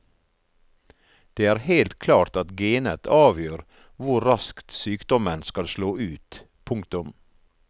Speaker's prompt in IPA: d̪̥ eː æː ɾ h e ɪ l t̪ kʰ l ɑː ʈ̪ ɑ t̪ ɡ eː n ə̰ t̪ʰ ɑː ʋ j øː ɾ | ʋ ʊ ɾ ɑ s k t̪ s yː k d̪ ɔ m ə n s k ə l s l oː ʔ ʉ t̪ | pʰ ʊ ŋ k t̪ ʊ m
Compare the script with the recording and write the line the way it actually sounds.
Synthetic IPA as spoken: d̪̥ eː æː ɾ h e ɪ l t̪ kʰ l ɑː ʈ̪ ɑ t̪ ɡ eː n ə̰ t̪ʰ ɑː ʋ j øː ɾ | ʋ ʊ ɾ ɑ s k t̪ s yː k d̪ ɔ m ə n s k ɑ l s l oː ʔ ʉː t̪ | pʰ ʊ ŋ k t̪ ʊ m